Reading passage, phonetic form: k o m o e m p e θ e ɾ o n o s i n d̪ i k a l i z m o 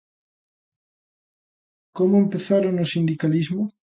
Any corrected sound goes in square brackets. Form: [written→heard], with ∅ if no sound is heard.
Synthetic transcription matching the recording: k o m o e m p e θ [e→a] ɾ o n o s i n d̪ i k a l i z m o